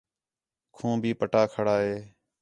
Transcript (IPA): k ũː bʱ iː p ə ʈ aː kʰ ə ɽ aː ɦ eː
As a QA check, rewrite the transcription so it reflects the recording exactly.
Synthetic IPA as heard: kʰ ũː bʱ iː p ə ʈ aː kʰ ə ɽ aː ɦ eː